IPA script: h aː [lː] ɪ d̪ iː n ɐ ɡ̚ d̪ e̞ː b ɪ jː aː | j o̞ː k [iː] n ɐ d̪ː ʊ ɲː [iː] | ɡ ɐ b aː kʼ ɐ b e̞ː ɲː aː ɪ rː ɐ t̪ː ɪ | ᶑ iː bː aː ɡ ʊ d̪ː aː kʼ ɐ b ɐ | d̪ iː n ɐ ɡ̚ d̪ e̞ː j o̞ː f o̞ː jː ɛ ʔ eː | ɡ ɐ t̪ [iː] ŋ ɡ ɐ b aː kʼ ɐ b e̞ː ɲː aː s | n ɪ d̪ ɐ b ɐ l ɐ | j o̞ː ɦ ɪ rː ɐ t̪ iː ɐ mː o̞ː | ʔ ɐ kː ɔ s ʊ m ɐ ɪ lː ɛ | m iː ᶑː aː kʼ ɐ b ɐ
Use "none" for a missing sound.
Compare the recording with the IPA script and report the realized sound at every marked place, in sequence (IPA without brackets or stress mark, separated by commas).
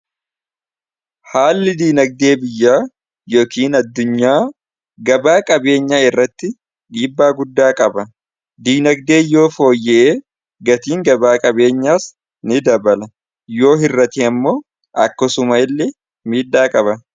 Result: lː, iː, aː, iː